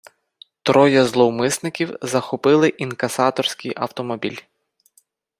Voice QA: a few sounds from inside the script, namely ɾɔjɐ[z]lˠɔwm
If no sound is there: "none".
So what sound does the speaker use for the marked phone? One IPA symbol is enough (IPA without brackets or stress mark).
z